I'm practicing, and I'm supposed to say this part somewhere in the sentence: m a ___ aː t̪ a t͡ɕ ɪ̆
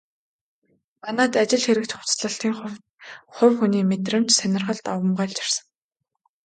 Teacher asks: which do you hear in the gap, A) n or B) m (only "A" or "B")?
A